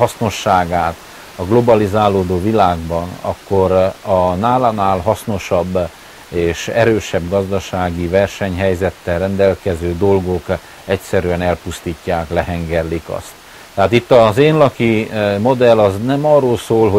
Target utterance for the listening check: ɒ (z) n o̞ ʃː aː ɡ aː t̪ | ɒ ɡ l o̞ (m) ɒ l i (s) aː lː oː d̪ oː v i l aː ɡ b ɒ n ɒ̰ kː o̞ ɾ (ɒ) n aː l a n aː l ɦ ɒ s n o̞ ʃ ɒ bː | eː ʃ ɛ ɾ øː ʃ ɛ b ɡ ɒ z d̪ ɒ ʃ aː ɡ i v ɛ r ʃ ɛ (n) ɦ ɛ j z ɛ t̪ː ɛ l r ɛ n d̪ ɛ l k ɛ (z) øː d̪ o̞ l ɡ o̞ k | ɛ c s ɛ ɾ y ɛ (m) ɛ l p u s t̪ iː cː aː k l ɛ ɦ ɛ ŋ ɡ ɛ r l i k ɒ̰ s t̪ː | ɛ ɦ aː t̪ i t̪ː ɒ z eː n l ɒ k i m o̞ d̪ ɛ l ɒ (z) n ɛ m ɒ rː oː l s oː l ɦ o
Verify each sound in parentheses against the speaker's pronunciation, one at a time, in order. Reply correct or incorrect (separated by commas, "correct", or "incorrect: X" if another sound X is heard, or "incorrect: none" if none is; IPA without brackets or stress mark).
incorrect: s, incorrect: b, incorrect: z, correct, incorrect: ɲ, correct, incorrect: n, correct